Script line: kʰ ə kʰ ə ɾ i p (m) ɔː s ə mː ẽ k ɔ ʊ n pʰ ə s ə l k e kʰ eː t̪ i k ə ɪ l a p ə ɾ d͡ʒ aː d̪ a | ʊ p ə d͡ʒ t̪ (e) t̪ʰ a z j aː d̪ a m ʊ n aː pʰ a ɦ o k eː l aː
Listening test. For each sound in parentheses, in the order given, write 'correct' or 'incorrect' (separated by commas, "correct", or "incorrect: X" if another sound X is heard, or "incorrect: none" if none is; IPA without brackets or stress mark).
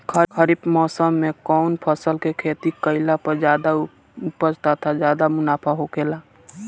correct, incorrect: a